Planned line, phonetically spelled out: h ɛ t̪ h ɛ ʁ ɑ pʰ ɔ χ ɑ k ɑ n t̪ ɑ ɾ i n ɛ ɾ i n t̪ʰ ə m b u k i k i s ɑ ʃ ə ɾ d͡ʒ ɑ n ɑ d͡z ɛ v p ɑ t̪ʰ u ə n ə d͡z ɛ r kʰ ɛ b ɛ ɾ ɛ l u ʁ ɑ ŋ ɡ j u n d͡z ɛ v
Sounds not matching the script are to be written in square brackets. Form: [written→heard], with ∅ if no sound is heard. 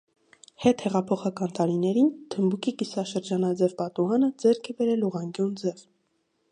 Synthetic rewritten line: h ɛ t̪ h ɛ ʁ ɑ pʰ ɔ χ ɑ k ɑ n t̪ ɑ ɾ i n ɛ ɾ i n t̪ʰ ə m b u k i k i s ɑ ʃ ə ɾ d͡ʒ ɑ n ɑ d͡z ɛ v p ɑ [t̪ʰ→t̪] u [ə→ɑ] n ə d͡z ɛ [r→ɾ] kʰ ɛ b ɛ ɾ ɛ l u ʁ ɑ ŋ ɡ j u n d͡z ɛ v